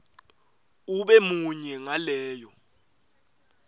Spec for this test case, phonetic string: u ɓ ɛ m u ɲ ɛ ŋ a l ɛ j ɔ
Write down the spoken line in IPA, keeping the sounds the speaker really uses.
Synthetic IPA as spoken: u ɓ ɛ m u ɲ ɛ ŋ a l ɛː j ɔ